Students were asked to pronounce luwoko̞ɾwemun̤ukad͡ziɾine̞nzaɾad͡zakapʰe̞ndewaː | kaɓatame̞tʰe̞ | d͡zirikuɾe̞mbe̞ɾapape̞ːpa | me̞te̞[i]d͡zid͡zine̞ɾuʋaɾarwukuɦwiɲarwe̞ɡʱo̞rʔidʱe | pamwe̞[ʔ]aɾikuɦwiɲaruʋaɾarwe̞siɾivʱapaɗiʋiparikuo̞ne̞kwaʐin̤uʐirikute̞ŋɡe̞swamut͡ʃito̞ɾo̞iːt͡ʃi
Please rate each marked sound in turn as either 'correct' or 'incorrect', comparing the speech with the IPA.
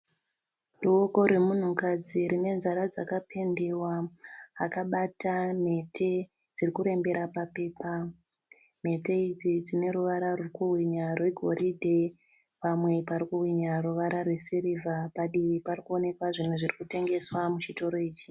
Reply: correct, incorrect: p

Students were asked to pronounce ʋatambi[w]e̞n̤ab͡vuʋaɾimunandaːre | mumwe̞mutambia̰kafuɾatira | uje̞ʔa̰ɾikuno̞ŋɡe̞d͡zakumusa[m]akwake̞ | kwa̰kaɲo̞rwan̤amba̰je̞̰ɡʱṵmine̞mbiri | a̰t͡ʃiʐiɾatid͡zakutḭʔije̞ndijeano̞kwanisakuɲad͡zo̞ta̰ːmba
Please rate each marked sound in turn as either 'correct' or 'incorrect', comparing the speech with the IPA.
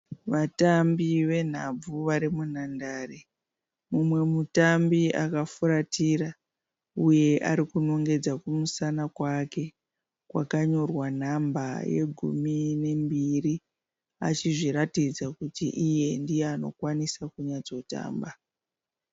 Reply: incorrect: ʋ, incorrect: n

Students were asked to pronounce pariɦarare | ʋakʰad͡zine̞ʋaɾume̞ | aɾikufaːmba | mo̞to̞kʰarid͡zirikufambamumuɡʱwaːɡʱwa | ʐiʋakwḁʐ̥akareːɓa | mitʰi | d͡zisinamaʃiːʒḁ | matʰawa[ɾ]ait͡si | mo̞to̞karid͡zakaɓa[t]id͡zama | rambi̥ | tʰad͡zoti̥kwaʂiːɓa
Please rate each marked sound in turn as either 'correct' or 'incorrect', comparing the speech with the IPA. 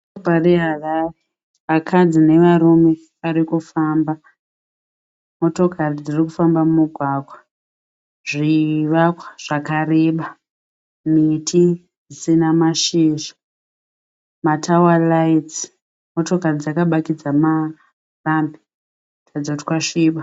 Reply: incorrect: l, incorrect: k

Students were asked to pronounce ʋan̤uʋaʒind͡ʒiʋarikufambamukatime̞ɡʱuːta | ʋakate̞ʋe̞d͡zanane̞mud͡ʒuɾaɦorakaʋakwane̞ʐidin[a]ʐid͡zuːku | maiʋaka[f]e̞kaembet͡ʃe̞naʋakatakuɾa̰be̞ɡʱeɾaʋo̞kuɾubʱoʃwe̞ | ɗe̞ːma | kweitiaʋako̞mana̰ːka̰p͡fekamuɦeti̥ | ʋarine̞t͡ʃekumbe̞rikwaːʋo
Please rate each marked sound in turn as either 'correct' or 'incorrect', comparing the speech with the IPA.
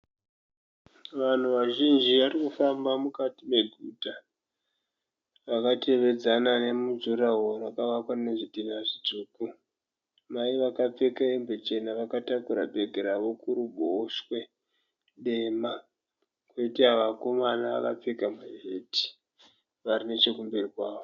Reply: correct, incorrect: p͡f

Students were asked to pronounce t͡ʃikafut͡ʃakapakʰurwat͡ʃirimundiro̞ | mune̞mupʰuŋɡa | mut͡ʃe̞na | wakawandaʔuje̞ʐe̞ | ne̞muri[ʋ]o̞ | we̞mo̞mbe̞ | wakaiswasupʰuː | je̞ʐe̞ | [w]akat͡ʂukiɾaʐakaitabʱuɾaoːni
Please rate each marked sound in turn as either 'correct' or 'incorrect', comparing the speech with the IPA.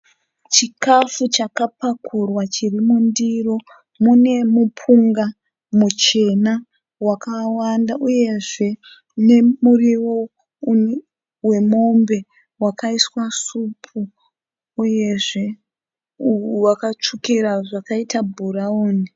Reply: incorrect: w, correct

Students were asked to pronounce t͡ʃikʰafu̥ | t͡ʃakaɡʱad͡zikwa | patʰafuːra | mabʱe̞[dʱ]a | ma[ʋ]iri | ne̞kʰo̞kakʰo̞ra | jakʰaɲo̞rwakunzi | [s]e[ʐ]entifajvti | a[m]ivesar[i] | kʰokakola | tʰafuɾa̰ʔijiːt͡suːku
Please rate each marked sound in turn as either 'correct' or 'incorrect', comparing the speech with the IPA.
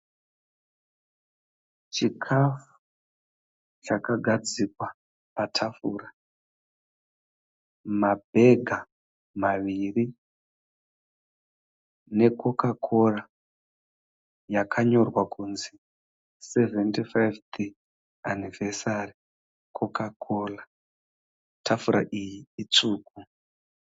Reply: incorrect: ɡʱ, correct, correct, incorrect: v, incorrect: n, correct

